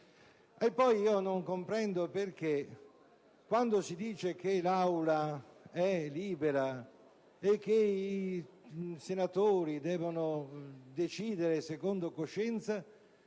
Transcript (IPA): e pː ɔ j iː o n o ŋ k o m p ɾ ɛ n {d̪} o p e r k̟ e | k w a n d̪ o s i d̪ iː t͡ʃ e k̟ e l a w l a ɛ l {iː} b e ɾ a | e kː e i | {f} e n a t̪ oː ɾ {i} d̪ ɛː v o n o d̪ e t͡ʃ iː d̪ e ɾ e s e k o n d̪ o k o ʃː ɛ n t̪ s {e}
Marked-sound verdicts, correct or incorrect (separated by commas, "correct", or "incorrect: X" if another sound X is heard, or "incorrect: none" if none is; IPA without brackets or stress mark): correct, correct, incorrect: s, correct, incorrect: a